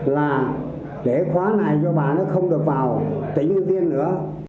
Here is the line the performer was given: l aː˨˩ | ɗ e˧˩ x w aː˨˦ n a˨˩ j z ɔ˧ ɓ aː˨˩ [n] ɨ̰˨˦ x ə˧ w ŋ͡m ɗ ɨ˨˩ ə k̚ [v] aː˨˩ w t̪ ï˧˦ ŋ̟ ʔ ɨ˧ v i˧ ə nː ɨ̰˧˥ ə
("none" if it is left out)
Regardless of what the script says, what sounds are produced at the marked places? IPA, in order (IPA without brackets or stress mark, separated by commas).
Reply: n, v